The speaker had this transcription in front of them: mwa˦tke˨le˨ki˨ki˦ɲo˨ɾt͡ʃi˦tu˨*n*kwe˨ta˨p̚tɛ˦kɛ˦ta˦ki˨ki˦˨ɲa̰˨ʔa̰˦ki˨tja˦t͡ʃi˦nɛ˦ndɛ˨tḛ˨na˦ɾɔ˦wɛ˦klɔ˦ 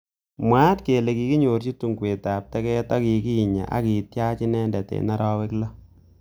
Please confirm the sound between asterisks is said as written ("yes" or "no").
no